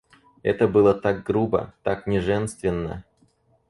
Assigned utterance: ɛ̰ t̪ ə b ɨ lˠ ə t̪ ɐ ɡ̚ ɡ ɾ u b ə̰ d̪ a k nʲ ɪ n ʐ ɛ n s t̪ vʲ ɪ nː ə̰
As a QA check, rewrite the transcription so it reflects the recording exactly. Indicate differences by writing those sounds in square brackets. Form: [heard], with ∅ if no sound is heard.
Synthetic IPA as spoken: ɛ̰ t̪ ə b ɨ lˠ ə t̪ [a] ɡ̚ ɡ ɾ u b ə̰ [t̪] a k nʲ ɪ [∅] ʐ ɛ n s t̪ vʲ ɪ nː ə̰